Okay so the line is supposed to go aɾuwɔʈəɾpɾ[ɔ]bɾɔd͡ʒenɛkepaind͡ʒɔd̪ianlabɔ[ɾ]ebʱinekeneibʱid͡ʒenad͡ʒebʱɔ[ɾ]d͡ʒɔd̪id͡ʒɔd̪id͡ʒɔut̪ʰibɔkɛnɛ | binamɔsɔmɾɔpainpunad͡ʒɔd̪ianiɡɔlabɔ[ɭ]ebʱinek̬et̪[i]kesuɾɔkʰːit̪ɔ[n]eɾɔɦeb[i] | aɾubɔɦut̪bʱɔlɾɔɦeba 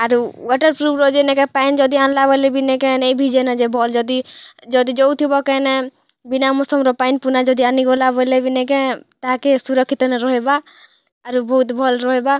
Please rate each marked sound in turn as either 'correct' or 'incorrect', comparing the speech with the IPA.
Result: incorrect: u, incorrect: l, incorrect: l, incorrect: l, incorrect: a, correct, incorrect: a

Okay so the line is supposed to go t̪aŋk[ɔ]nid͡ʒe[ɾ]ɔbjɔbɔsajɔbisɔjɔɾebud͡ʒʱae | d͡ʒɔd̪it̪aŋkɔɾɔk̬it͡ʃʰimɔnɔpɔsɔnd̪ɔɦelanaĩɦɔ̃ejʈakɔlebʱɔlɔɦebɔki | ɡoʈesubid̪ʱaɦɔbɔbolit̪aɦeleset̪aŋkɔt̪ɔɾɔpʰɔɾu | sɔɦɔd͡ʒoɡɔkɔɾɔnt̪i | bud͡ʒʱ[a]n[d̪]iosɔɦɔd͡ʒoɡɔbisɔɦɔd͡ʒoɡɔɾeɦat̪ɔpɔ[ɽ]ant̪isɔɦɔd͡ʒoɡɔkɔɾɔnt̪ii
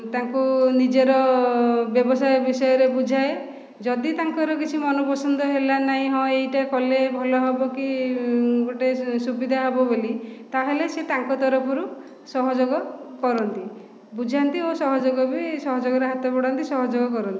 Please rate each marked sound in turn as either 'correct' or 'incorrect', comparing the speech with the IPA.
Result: incorrect: u, correct, correct, incorrect: t̪, correct

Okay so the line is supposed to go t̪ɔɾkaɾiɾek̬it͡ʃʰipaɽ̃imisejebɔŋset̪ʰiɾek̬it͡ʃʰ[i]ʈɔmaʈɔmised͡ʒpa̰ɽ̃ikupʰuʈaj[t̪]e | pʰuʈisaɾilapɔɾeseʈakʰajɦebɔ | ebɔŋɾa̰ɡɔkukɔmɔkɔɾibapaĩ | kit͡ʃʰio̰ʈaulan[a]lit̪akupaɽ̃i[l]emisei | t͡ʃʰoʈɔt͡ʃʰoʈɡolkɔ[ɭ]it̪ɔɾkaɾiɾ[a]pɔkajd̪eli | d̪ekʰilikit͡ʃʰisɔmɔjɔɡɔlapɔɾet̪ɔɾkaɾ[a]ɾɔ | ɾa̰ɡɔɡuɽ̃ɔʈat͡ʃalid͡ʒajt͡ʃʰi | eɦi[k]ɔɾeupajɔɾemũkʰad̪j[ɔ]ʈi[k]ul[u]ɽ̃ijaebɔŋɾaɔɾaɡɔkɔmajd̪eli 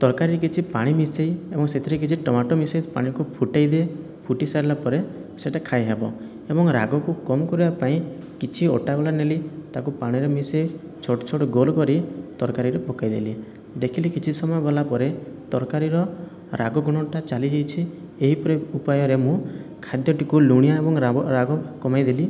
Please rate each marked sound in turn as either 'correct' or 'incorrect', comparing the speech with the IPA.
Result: correct, incorrect: d̪, incorrect: e, incorrect: ɾ, incorrect: ɾ, incorrect: e, incorrect: i, incorrect: p, correct, correct, correct

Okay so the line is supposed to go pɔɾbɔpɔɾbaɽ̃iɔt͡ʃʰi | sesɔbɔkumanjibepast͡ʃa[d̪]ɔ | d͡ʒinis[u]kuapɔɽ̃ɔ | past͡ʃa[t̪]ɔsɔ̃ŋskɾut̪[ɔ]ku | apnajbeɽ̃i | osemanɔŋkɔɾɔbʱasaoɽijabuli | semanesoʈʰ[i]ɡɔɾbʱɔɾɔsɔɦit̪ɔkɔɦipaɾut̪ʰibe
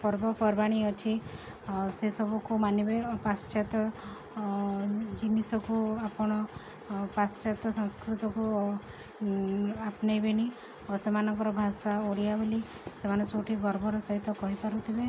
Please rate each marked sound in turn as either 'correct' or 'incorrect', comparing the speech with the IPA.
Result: incorrect: t̪, incorrect: ɔ, correct, correct, correct

